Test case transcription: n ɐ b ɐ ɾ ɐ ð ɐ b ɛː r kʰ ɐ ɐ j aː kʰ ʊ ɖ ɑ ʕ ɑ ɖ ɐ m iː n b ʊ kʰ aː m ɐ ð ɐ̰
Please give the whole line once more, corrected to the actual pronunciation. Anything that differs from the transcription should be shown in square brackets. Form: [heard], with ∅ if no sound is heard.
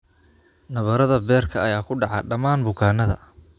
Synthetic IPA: n ɐ [β] ɐ ɾ ɐ ð ɐ b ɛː r kʰ ɐ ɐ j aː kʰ ʊ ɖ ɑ ʕ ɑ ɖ ɐ m [aː] n b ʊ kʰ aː [n] ɐ ð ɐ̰

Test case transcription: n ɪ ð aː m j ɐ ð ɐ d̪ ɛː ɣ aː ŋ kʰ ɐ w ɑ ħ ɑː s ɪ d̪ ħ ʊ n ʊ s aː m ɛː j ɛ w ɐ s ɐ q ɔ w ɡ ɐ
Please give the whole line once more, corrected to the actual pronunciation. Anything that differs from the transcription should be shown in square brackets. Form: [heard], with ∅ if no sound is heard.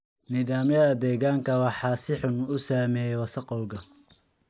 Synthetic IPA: n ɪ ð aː m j ɐ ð ɐ d̪ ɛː ɣ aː ŋ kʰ ɐ w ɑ ħ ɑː s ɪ [∅] ħ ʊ n ʊ s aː m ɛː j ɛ w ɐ s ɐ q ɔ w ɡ ɐ

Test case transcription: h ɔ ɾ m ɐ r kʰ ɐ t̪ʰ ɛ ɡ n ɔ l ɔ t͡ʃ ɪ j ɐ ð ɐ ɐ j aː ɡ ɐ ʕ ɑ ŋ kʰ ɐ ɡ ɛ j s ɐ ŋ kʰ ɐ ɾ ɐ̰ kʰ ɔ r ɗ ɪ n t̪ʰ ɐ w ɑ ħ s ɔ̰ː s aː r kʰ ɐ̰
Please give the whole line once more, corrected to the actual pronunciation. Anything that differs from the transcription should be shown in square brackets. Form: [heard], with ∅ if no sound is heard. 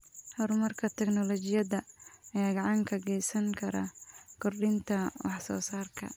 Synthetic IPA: h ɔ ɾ m ɐ r kʰ ɐ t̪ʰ ɛ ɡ n ɔ l ɔ t͡ʃ ɪ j ɐ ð ɐ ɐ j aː ɡ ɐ ʕ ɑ ŋ kʰ ɐ ɡ ɛ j s ɐ ŋ kʰ ɐ ɾ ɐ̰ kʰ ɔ r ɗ ɪ n t̪ʰ ɐ w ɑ ħ s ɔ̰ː s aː r kʰ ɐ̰

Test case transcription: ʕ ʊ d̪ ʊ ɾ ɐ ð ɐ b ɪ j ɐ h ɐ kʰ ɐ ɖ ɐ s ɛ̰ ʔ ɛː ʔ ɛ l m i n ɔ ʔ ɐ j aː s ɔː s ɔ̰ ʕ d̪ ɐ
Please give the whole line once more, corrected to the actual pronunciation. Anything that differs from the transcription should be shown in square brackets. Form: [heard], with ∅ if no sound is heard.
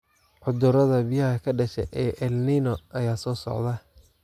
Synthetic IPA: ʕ ʊ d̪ ʊ ɾ ɐ ð ɐ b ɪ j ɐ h ɐ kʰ ɐ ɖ ɐ [ʃ] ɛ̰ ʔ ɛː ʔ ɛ l [n] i n ɔ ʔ ɐ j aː s ɔː s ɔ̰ ʕ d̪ ɐ

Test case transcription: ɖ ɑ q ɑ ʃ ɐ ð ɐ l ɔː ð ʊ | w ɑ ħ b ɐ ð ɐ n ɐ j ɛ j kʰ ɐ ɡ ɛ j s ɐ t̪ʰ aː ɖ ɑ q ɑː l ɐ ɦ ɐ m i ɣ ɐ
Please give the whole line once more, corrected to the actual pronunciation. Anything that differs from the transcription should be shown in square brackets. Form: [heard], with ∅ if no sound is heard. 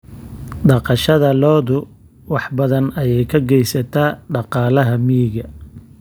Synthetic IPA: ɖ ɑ q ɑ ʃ ɐ ð ɐ l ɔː ð ʊ | w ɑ ħ b ɐ ð ɐ n ɐ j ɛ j kʰ ɐ ɡ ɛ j s ɐ t̪ʰ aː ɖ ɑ q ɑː l ɐ ɦ ɐ m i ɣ ɐ

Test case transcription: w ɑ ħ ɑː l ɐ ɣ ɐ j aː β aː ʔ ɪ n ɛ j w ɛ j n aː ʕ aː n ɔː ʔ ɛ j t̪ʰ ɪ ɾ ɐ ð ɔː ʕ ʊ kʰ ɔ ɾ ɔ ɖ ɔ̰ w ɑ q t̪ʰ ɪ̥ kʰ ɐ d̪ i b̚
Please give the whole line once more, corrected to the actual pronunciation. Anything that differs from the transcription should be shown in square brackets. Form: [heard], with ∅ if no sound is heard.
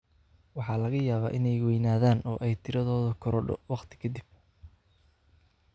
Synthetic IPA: w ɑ ħ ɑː l ɐ ɣ ɐ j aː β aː ʔ ɪ n ɛ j w ɛ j n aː [ð] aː n ɔː ʔ ɛ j t̪ʰ ɪ ɾ ɐ ð ɔː [ð] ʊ kʰ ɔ ɾ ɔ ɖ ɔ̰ w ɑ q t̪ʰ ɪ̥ kʰ ɐ d̪ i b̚

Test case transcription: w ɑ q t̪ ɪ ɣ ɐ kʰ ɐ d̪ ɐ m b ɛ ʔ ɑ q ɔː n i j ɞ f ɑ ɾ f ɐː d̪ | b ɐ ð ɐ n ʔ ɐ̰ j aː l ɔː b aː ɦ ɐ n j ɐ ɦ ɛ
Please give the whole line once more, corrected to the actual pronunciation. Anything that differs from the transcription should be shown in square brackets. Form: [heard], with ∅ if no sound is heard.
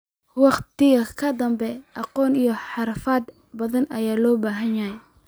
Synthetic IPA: w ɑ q t̪ ɪ ɣ ɐ kʰ ɐ d̪ ɐ m b ɛ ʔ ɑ q ɔː n i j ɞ [ħ] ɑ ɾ f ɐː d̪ | b ɐ ð ɐ n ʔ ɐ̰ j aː l ɔː b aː ɦ ɐ n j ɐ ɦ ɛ

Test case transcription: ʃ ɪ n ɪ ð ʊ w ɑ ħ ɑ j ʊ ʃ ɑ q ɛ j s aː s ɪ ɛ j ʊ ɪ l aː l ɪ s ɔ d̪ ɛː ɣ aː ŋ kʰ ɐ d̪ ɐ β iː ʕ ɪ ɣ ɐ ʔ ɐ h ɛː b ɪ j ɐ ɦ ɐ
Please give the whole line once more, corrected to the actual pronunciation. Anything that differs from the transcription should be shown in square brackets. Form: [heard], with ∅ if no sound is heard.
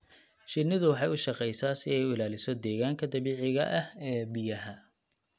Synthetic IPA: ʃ ɪ n ɪ ð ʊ w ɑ ħ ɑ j ʊ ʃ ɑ q ɛ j s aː s ɪ ɛ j ʊ ɪ l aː l ɪ s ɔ d̪ ɛː ɣ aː ŋ kʰ ɐ d̪ ɐ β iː ʕ ɪ ɣ ɐ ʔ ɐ h ɛː b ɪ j ɐ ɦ ɐ

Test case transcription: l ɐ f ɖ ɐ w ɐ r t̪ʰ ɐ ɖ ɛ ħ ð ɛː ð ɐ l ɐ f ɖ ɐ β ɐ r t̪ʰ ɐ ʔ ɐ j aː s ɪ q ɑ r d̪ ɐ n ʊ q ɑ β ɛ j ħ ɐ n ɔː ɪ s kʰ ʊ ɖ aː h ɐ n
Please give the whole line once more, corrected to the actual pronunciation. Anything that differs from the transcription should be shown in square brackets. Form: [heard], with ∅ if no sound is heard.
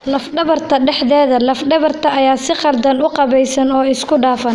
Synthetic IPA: l ɐ f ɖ ɐ [β] ɐ r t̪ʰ ɐ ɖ ɛ ħ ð ɛː ð ɐ l ɐ f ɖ ɐ β ɐ r t̪ʰ ɐ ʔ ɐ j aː s ɪ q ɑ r d̪ ɐ n ʊ q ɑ β ɛ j [s] ɐ n ɔː ɪ s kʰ ʊ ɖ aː [f] ɐ n

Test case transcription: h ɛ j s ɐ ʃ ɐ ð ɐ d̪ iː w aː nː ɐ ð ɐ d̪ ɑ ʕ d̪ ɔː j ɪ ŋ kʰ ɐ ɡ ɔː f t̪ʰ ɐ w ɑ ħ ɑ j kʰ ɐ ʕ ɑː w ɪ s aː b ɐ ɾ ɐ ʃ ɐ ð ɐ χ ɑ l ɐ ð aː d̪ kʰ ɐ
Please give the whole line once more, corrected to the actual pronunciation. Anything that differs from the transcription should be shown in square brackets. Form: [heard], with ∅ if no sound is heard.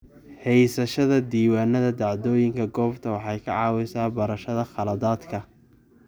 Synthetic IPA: h ɛ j s ɐ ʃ ɐ ð ɐ d̪ iː w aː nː ɐ ð ɐ d̪ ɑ ʕ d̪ ɔː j ɪ ŋ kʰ ɐ ɡ ɔː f t̪ʰ ɐ w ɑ ħ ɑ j kʰ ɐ ʕ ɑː w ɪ s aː b ɐ ɾ ɐ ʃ ɐ ð ɐ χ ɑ l ɐ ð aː d̪ kʰ ɐ

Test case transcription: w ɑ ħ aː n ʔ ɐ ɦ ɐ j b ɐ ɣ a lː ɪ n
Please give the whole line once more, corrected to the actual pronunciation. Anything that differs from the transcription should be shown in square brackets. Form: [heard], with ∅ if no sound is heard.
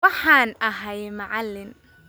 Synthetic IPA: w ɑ ħ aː n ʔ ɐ ɦ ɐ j [m] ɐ [ʕ] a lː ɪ n

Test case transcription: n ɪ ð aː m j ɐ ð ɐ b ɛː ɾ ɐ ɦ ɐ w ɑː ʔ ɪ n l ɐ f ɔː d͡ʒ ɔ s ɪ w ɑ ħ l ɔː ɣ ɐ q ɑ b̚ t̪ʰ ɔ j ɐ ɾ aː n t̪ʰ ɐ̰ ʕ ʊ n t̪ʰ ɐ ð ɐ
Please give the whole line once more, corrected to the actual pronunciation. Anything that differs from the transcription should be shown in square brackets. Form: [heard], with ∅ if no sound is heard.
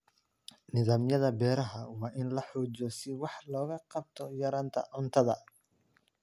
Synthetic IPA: n ɪ ð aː m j ɐ ð ɐ b ɛː ɾ ɐ ɦ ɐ w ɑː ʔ ɪ n l ɐ [ħ] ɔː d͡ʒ ɔ s ɪ w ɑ ħ l ɔː ɣ ɐ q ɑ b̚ t̪ʰ ɔ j ɐ ɾ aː n t̪ʰ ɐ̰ ʕ ʊ n t̪ʰ ɐ ð ɐ

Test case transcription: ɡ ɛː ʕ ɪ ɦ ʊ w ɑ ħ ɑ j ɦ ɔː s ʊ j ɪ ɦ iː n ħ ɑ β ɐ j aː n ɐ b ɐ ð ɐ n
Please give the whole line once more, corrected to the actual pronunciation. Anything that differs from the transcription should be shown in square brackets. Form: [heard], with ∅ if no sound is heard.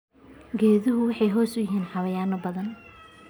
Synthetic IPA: ɡ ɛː [ð] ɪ ɦ ʊ w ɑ ħ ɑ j ɦ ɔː s ʊ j ɪ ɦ iː n ħ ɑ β ɐ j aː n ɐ b ɐ ð ɐ n

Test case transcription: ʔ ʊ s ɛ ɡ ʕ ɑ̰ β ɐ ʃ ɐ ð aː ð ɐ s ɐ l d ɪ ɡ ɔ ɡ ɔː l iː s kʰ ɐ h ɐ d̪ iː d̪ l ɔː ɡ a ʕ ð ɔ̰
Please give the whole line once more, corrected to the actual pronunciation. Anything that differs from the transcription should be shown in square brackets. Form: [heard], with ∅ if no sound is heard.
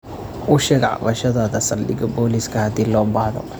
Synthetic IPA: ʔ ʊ [ʃ] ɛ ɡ ʕ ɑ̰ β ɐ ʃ ɐ ð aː ð ɐ s ɐ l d ɪ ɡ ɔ [b] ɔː l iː s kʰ ɐ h ɐ d̪ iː [∅] l ɔː [b] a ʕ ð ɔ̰

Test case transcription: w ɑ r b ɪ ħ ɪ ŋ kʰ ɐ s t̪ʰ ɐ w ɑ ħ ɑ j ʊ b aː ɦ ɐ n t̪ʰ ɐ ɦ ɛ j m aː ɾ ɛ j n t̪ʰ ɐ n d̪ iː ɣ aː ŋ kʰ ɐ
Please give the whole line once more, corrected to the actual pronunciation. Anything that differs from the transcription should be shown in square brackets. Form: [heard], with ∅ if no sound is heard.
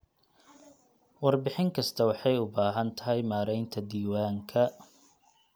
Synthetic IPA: w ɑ r b ɪ ħ ɪ ŋ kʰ ɐ s t̪ʰ ɐ w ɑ ħ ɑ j ʊ b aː ɦ ɐ n t̪ʰ ɐ ɦ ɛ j m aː ɾ ɛ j n t̪ʰ ɐ [∅] d̪ iː [w] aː ŋ kʰ ɐ

